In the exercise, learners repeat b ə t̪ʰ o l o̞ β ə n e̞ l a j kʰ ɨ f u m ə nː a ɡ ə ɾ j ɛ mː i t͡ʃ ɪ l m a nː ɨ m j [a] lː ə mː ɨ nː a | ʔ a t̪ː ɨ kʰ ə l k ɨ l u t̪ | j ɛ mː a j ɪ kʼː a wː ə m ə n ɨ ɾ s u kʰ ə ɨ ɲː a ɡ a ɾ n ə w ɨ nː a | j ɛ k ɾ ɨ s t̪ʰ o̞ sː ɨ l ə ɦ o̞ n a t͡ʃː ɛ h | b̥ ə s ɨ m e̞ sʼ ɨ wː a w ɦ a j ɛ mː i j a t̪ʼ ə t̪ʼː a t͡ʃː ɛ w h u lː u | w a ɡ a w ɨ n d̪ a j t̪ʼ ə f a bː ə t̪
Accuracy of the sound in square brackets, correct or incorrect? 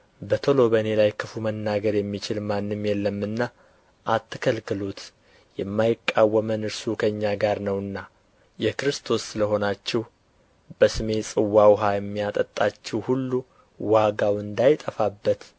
incorrect